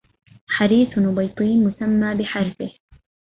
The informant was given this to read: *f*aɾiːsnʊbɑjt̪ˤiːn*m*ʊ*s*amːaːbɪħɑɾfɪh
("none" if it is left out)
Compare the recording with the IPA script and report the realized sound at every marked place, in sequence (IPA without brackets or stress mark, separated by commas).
ħ, m, s